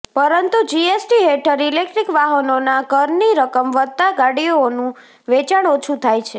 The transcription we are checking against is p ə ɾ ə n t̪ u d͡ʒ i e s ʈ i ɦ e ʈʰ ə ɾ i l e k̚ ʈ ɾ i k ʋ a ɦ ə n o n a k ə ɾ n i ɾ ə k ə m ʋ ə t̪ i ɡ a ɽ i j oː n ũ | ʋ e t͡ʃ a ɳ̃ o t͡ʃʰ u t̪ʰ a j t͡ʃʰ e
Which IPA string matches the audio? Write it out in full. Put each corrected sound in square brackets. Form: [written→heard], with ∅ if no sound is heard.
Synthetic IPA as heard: p ə ɾ ə n t̪ u d͡ʒ i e s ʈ i ɦ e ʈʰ ə ɾ i l e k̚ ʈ ɾ i k ʋ a ɦ ə n o n a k ə ɾ n i ɾ ə k ə m ʋ ə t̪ [i→a] ɡ a ɽ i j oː n ũ | ʋ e t͡ʃ a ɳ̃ o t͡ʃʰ u t̪ʰ a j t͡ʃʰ e

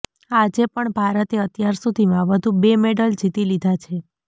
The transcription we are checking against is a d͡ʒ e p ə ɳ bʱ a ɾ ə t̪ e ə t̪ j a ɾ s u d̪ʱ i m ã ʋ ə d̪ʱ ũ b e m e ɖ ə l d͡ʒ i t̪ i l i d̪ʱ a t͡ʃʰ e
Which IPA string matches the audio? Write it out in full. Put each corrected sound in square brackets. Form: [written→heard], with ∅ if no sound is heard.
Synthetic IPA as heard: a d͡ʒ e p ə ɳ bʱ a ɾ ə t̪ e ə t̪ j a ɾ s u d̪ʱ i m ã ʋ ə d̪ʱ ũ b e m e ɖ ə l d͡ʒ i t̪ i l i d̪ʱ a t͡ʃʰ e

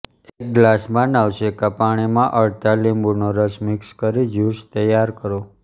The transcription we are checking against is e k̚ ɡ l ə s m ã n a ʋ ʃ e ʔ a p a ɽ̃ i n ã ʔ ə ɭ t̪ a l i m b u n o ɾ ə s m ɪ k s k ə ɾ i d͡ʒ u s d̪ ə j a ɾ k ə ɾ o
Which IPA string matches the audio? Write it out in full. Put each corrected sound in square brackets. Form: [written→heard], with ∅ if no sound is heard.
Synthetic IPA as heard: e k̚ ɡ l [ə→a] s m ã n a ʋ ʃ e [ʔ→k] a p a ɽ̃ i [n→m] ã ʔ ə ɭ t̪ a l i m b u n o ɾ ə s m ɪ k s k ə ɾ i d͡ʒ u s [d̪→t̪] ə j a ɾ k ə ɾ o

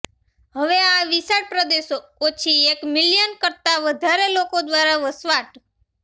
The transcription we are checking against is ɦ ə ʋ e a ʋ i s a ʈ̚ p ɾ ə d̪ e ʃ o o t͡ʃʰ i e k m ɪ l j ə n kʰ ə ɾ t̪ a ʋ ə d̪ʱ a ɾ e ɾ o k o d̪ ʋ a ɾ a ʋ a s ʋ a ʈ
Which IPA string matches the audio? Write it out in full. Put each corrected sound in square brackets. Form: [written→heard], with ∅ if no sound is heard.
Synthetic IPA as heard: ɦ ə ʋ e a ʋ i s a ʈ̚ p ɾ ə d̪ e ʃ o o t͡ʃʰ i e k m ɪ l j ə n [kʰ→k] ə ɾ t̪ a ʋ ə d̪ʱ a ɾ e [ɾ→l] o k o d̪ ʋ a ɾ a ʋ [a→ə] s ʋ a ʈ

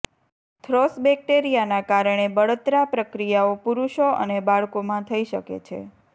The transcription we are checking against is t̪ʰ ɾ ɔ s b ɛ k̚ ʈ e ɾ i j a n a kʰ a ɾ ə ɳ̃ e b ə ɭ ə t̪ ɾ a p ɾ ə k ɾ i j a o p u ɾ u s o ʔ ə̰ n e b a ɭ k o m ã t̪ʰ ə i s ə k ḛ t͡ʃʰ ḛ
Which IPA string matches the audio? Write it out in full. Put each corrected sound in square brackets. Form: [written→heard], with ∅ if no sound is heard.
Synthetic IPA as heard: t̪ʰ ɾ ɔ s b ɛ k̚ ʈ e ɾ i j a n a [kʰ→k] a ɾ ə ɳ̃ e b ə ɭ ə t̪ ɾ a p ɾ ə k ɾ i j a o p u ɾ u [s→ʃ] o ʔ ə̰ n e b a ɭ k o m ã t̪ʰ ə i [s→ʃ] ə k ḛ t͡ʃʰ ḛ

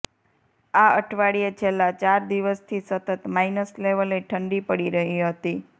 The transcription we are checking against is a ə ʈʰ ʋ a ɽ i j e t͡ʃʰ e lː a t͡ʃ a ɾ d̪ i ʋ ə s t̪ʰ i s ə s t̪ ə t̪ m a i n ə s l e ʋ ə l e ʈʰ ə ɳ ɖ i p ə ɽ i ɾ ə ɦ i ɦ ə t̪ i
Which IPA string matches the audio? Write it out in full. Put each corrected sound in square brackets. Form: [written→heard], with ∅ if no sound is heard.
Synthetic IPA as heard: a ə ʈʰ ʋ a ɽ i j e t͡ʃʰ e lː a t͡ʃ a ɾ d̪ i ʋ ə s t̪ʰ i s ə [s→∅] t̪ ə t̪ m a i n ə s l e ʋ ə l e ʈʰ ə ɳ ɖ i p ə ɽ i ɾ ə ɦ i ɦ ə t̪ i

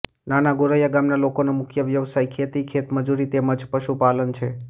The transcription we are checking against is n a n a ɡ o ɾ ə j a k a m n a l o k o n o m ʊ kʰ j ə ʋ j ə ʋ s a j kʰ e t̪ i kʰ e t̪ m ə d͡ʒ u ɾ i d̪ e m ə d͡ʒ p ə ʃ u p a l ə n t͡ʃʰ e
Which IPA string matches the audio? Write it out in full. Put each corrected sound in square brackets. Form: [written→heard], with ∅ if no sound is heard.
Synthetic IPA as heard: n a n a ɡ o ɾ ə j a [k→ɡ] a m n a l o k o n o m ʊ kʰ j ə ʋ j ə ʋ s a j kʰ e t̪ i kʰ e t̪ m ə d͡ʒ u ɾ i [d̪→t̪] e m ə d͡ʒ p ə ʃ u p a l ə n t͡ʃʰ e

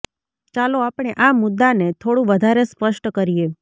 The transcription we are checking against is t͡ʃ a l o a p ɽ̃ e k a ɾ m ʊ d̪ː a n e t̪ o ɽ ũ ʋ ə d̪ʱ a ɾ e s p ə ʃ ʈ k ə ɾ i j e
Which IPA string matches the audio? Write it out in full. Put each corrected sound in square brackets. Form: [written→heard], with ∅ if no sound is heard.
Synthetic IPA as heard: t͡ʃ a l o a p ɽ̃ e [k→ʔ] a [ɾ→∅] m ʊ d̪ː a n e [t̪→t̪ʰ] o ɽ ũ ʋ ə d̪ʱ a ɾ e s p ə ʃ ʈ k ə ɾ i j e

